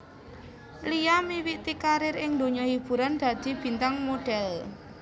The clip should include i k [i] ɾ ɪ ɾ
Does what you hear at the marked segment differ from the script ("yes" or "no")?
yes